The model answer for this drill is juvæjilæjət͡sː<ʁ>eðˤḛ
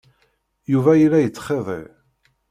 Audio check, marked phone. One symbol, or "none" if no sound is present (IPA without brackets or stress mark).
χ